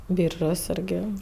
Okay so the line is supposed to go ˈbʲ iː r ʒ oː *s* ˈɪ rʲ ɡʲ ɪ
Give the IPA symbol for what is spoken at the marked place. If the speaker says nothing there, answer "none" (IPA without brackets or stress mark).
s